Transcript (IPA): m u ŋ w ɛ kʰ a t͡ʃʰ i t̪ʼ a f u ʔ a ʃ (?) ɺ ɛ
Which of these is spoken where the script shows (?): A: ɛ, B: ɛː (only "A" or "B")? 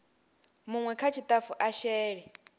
B